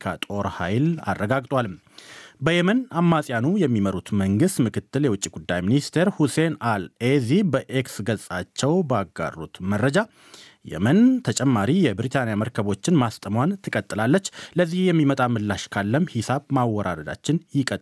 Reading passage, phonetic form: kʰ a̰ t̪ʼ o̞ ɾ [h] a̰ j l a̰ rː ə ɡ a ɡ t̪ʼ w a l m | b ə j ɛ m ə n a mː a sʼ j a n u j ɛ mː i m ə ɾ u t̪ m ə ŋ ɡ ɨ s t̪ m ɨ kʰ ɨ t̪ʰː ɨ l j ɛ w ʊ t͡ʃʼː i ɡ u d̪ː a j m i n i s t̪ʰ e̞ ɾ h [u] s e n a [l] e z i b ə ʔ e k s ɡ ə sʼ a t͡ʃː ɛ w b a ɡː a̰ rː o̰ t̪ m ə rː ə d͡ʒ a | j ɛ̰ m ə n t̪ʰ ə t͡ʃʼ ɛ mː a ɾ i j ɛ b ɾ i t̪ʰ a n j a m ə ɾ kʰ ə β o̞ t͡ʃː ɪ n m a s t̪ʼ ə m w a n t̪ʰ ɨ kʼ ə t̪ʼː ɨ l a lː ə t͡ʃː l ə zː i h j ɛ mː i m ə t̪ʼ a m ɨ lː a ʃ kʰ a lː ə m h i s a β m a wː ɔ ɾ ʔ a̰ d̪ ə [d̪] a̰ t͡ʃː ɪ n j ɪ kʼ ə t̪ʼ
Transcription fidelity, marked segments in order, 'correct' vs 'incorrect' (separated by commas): correct, correct, correct, correct